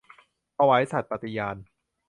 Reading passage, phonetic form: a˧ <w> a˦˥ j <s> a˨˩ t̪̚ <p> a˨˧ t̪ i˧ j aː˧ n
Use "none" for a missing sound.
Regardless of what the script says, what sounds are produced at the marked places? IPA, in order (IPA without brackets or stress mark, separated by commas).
w, s, p